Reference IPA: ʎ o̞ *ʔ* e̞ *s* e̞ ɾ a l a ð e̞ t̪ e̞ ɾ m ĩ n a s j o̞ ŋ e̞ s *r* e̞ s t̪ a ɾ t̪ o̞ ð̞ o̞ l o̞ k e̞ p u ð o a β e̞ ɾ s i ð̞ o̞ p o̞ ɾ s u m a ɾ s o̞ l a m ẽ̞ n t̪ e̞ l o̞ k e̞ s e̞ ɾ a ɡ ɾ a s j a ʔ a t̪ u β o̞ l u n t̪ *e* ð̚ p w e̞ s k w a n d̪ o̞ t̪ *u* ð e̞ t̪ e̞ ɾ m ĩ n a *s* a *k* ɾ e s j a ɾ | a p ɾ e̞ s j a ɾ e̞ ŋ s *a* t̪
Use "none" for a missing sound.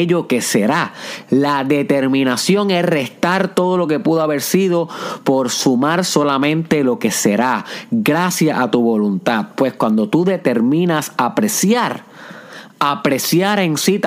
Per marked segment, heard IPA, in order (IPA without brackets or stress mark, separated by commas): k, s, r, a, u, s, p, i